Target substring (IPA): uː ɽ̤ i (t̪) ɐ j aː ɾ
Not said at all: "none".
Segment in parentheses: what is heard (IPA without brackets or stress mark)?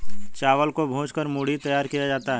t̪